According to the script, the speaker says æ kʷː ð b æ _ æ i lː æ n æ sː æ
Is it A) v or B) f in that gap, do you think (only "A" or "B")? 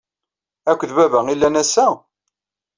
A